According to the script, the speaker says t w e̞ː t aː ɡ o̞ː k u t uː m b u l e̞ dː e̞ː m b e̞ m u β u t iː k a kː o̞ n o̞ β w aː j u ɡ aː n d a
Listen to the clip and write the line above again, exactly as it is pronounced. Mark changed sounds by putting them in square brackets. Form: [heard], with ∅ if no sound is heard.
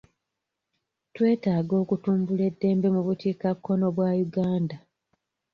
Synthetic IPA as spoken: t w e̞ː t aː ɡ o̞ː k u t uː m b u l e̞ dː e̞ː m b e̞ m u β u t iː k a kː o̞ n o̞ β w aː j u ɡ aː n d a